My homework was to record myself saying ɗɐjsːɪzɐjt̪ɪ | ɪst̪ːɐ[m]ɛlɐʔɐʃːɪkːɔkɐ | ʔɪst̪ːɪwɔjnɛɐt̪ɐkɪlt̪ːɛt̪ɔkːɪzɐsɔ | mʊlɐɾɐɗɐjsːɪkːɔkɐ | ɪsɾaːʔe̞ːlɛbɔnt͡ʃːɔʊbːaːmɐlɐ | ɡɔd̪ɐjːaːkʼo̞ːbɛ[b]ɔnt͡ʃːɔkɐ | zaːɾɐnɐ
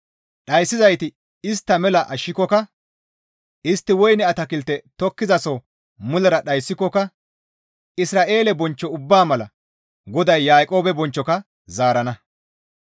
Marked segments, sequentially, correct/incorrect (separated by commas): correct, correct